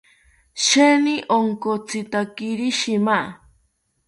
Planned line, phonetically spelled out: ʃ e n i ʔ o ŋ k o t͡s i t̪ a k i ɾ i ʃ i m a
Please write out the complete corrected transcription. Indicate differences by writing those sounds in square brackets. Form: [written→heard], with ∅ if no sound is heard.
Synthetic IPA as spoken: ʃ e n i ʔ o ŋ k o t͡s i t̪ a k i ɾ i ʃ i m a